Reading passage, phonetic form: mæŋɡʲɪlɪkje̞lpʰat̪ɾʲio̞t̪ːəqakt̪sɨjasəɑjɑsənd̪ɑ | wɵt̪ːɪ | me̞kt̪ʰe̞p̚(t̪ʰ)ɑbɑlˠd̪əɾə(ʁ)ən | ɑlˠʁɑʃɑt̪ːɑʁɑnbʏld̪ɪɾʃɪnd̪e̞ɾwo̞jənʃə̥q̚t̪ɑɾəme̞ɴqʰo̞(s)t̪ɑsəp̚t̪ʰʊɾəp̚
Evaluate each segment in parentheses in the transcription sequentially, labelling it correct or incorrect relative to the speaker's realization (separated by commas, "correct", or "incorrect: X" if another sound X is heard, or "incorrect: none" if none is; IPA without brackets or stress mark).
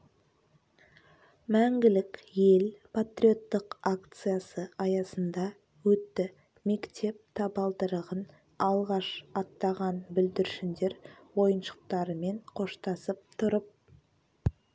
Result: correct, correct, incorrect: ʃ